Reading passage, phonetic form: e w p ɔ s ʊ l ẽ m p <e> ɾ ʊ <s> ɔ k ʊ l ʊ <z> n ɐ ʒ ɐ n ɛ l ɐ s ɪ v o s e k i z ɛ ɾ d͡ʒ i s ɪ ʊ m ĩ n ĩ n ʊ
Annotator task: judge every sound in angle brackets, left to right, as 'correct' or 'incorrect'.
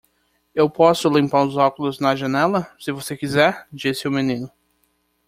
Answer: incorrect, incorrect, correct

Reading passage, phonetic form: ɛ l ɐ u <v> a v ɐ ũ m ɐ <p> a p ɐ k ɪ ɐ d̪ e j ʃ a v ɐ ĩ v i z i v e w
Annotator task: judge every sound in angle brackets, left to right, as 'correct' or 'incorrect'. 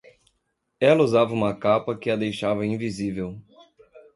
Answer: incorrect, incorrect

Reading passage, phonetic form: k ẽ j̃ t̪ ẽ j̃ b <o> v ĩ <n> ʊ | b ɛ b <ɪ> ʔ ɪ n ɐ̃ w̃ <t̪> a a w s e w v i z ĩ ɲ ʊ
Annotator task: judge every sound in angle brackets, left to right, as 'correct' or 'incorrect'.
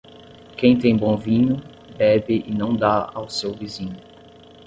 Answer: incorrect, incorrect, correct, incorrect

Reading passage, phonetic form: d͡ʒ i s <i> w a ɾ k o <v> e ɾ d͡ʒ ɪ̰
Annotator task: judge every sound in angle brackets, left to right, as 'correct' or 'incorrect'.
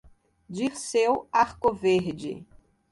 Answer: incorrect, correct

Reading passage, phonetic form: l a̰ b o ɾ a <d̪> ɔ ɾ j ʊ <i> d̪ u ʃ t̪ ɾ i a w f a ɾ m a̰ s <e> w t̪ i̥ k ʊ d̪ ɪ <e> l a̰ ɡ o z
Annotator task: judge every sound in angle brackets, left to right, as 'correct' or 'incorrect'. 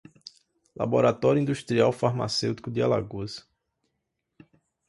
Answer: incorrect, incorrect, correct, incorrect

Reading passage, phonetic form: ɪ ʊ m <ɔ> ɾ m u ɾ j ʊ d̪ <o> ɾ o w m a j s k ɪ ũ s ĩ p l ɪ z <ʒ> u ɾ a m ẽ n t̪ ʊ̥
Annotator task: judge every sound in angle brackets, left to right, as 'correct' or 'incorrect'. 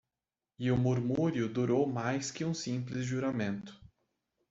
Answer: incorrect, incorrect, correct

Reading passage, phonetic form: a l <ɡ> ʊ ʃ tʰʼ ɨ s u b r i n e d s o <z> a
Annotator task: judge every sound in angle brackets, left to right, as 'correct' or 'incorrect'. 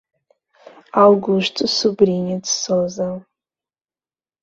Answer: correct, correct

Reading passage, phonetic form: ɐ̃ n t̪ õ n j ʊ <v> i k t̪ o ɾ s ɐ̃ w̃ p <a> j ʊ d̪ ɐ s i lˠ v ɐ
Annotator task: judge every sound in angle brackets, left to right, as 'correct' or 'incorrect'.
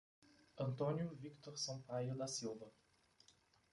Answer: correct, correct

